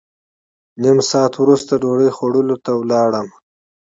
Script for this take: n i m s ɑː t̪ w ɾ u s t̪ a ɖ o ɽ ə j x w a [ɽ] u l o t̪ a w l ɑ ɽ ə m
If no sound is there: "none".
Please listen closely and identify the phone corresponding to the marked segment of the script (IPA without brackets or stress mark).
ɽ